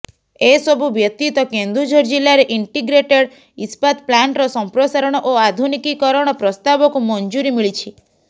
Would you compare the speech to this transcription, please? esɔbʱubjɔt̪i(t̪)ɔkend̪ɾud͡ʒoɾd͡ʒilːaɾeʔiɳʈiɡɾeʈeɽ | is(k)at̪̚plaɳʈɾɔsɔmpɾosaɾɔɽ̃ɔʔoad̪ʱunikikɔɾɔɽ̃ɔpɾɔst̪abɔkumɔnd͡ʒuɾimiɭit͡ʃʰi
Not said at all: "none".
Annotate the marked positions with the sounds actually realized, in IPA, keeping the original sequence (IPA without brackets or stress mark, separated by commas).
t̪, p